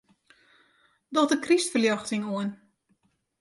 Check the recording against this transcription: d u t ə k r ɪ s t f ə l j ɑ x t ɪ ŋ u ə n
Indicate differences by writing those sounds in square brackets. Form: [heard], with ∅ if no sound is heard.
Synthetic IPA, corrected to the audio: d [ɔ] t ə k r [i] s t f ə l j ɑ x t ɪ ŋ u ə n